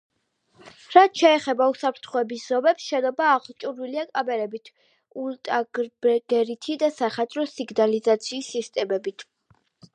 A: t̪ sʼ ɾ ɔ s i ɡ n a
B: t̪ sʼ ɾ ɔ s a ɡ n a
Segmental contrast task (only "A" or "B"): A